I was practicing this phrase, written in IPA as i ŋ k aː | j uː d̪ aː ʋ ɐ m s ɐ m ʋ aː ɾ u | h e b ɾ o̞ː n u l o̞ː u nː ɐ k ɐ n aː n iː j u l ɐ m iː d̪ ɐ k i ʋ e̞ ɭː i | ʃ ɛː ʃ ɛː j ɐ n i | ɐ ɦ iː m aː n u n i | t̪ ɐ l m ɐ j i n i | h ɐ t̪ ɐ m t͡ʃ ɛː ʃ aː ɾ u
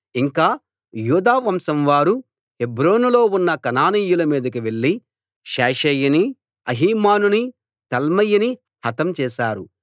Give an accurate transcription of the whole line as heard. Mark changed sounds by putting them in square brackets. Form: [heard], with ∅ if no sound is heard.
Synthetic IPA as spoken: i ŋ k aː | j uː d̪ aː ʋ ɐ m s ɐ m ʋ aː ɾ u | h e b ɾ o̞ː n u l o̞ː u nː ɐ k ɐ n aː n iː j u l ɐ m iː d̪ ɐ k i ʋ e̞ ɭː i | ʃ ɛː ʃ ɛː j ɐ n i | ɐ ɦ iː m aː n u n i | t̪ ɐ l m ɐ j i n i | h ɐ t̪ ɐ m t͡ʃ ɛː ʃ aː ɾ u